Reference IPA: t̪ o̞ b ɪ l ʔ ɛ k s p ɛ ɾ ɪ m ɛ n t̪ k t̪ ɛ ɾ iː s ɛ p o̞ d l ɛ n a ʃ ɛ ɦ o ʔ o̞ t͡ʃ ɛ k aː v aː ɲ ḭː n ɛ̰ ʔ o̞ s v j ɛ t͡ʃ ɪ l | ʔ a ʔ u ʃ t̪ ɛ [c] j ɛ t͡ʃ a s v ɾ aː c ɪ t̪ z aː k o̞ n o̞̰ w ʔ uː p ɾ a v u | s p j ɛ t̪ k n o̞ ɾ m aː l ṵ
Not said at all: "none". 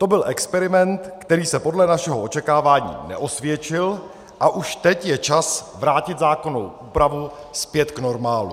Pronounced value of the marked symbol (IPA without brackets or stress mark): c